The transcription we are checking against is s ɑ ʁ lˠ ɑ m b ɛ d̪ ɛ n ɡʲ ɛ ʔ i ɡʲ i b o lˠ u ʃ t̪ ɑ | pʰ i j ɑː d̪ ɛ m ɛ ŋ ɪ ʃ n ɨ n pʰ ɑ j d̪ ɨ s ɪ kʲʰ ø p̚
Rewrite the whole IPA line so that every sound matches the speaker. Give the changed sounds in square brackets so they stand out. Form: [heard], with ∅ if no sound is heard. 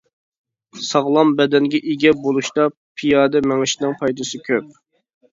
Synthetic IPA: s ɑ ʁ lˠ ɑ m b ɛ d̪ ɛ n ɡʲ ɛ ʔ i ɡʲ [ɛ] b o lˠ u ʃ t̪ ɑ | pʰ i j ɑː d̪ ɛ m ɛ ŋ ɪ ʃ n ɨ [ŋ] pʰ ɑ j d̪ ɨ s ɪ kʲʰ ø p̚